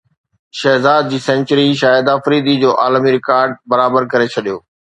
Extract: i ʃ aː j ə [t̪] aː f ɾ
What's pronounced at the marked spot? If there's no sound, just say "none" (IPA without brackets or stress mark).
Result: d̪